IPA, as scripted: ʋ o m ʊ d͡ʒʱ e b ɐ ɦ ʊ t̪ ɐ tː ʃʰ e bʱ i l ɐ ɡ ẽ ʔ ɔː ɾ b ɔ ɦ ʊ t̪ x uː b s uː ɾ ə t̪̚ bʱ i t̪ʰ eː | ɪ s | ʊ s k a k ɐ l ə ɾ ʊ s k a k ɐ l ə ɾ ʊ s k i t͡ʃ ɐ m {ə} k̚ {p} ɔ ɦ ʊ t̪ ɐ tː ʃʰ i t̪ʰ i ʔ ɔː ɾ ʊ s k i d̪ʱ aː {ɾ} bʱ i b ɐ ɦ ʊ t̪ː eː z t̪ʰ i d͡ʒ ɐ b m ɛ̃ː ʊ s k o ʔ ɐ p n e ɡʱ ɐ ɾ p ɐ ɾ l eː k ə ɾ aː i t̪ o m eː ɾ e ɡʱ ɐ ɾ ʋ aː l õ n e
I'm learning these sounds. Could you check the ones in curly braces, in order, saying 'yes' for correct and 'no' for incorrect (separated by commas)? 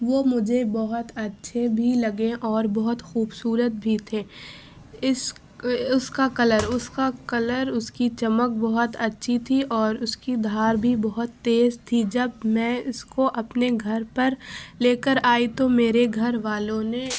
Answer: yes, no, yes